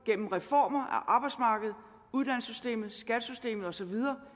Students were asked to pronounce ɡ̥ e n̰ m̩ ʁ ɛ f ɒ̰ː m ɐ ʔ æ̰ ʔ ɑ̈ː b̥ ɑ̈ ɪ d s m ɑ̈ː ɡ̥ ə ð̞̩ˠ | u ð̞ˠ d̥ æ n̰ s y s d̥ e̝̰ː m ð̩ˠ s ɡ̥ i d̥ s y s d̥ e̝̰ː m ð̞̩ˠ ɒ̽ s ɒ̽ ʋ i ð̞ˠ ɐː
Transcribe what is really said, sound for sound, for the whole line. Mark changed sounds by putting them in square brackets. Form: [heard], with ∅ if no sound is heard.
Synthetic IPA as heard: ɡ̥ e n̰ m̩ ʁ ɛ f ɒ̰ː m ɐ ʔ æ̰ ʔ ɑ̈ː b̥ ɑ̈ ɪ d s m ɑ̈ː ɡ̥ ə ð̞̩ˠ | u ð̞ˠ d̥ æ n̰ s y s d̥ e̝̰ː m ð̩ˠ s ɡ̥ [æ] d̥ s y s d̥ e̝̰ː m ð̞̩ˠ ɒ̽ s ɒ̽ ʋ i ð̞ˠ ɐː